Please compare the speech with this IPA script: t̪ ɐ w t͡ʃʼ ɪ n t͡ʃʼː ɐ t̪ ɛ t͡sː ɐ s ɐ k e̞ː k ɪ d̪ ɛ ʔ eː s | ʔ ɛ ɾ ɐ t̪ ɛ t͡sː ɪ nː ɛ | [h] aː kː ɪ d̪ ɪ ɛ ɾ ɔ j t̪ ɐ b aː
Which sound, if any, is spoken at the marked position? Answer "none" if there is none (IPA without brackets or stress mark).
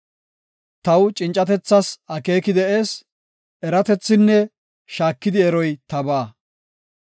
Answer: ʃ